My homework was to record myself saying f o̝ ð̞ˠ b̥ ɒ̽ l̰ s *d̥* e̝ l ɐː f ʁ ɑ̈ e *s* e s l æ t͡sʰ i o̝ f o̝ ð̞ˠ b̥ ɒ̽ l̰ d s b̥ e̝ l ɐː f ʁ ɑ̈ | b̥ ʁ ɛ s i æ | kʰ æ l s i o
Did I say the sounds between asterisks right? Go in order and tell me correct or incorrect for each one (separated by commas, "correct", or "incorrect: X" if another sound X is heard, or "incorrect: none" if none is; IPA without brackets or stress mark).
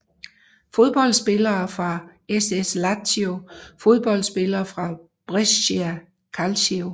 incorrect: b̥, correct